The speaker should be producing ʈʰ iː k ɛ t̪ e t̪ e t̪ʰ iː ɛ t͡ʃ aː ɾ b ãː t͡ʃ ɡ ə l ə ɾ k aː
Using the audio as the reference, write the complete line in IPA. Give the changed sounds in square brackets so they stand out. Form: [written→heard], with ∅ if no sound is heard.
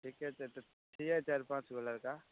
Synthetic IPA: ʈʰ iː k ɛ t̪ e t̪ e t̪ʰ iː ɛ t͡ʃ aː ɾ [b→p] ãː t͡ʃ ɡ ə l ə ɾ k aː